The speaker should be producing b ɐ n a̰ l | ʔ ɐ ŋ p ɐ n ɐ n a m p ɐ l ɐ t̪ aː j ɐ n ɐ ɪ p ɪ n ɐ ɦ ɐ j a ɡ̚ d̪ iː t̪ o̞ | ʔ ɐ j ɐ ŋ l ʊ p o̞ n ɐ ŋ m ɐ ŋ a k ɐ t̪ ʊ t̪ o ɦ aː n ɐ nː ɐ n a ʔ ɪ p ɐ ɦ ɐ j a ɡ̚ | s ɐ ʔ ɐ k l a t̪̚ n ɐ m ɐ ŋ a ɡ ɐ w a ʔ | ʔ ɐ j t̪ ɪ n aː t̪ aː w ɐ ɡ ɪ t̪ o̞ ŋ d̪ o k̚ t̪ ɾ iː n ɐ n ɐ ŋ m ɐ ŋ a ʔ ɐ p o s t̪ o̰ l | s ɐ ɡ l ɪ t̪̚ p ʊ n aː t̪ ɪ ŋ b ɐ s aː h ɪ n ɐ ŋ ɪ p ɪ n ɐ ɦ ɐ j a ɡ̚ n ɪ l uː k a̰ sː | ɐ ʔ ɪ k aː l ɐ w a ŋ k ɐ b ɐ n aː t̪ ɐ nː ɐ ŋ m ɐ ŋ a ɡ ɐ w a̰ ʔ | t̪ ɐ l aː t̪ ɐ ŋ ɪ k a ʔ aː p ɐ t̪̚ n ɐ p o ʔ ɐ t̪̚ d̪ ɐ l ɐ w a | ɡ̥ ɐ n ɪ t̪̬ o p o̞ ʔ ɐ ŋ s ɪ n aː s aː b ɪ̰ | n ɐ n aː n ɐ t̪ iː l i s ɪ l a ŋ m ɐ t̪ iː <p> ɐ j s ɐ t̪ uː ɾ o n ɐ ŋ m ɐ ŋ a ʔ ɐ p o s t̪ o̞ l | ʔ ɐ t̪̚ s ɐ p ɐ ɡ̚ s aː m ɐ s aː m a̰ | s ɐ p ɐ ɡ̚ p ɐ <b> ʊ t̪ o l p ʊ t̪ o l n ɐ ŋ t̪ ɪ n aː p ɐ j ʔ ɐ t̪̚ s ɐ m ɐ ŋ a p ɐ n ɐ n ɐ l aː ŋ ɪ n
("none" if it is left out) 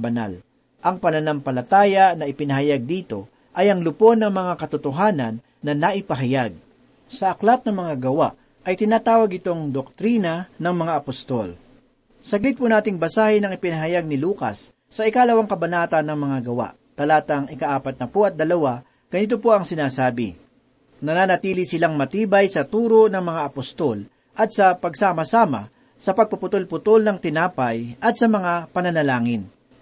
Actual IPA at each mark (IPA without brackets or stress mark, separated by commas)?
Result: b, p